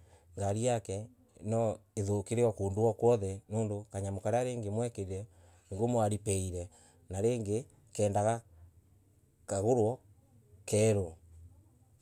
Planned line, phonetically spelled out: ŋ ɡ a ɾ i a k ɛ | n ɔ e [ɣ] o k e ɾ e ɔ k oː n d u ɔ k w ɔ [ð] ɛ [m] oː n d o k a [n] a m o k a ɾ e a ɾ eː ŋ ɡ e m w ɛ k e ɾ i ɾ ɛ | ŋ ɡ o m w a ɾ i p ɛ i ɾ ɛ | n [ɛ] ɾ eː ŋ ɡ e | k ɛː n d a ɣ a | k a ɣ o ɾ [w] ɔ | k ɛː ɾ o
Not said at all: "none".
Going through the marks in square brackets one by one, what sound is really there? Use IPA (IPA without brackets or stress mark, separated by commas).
ð, ð, n, ɲ, a, w